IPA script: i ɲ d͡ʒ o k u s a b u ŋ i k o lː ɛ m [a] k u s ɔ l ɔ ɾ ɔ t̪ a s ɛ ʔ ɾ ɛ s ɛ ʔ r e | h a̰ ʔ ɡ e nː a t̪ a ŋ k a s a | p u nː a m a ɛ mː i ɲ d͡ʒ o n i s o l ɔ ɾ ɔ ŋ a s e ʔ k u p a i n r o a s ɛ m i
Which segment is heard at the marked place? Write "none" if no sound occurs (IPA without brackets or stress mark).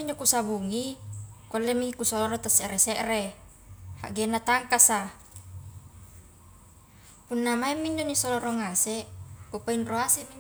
i